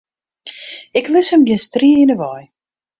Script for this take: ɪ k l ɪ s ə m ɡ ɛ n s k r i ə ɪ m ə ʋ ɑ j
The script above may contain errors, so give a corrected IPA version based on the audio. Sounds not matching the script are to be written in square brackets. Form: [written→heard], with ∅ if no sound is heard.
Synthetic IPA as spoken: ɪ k l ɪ s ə m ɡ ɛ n s [k→t] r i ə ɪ [m→n] ə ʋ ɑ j